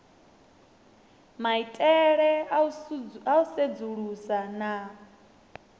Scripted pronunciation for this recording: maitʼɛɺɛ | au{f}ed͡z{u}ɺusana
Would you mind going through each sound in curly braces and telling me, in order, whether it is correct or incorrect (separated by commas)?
incorrect, correct